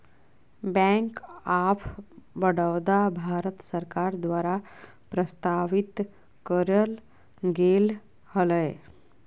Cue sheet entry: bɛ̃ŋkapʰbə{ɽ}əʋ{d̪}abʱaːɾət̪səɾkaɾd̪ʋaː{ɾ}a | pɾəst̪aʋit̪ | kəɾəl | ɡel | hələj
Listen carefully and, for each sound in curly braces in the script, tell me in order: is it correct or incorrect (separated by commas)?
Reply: correct, correct, correct